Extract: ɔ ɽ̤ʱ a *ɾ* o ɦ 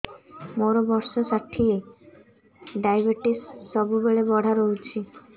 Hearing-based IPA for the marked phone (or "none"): ɾ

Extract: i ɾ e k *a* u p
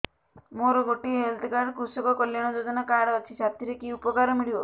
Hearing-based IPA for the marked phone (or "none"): i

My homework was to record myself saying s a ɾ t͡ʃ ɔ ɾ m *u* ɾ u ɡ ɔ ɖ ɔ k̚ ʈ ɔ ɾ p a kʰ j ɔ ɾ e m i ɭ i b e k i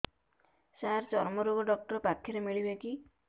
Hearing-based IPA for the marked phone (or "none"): ɔ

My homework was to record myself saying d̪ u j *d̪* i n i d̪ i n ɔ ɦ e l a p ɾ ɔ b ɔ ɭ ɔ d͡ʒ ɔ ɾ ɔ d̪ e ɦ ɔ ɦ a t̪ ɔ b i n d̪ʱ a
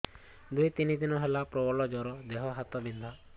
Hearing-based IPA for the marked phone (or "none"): t̪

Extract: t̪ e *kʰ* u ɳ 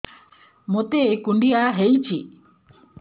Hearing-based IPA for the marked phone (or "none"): k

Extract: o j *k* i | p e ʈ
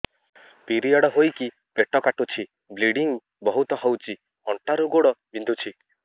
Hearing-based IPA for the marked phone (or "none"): k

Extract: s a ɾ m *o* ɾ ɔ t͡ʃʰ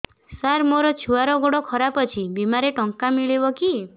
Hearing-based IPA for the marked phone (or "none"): o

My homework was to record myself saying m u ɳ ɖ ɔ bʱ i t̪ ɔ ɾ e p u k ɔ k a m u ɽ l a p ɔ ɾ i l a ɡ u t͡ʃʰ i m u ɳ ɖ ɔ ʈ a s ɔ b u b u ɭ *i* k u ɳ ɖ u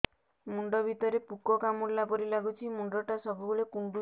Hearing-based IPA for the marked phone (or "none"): e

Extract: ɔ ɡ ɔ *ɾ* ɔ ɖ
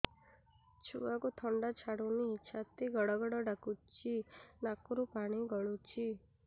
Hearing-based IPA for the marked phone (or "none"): ɽ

